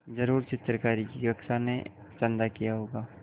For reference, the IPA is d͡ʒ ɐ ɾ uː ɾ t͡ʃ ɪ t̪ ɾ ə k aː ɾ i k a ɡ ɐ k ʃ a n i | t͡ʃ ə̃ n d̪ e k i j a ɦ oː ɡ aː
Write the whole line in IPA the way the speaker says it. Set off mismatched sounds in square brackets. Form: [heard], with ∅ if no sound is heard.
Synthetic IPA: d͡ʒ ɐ ɾ uː ɾ t͡ʃ ɪ t̪ ɾ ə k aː ɾ i k [i] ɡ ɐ k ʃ a n [e] | t͡ʃ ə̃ n d̪ [a] k i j a ɦ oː ɡ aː